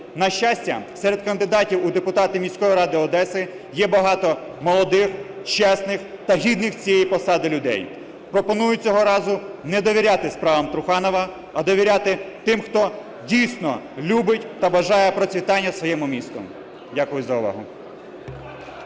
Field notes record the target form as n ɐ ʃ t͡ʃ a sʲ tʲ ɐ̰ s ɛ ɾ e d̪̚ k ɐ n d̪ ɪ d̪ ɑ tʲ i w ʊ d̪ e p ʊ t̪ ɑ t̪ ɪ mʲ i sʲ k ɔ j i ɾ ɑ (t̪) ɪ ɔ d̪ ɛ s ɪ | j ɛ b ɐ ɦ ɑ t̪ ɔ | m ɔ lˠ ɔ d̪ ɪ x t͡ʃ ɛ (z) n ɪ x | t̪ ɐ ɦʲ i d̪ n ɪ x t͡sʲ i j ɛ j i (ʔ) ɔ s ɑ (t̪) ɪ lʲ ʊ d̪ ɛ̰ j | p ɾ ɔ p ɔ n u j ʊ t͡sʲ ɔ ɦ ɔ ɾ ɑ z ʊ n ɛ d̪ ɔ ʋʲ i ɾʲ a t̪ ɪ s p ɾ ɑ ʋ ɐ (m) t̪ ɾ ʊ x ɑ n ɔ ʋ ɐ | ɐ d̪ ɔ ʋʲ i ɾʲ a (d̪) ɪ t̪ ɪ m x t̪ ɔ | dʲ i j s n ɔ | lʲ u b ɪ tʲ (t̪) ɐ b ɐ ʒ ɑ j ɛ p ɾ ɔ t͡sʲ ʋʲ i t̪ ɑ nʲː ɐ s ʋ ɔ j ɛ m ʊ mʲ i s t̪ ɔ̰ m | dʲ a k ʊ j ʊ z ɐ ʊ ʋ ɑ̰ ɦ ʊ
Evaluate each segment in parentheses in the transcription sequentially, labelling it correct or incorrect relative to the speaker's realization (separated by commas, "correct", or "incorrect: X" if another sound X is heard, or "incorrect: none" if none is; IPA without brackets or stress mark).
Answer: incorrect: d̪, incorrect: s, incorrect: p, incorrect: d̪, correct, incorrect: t̪, correct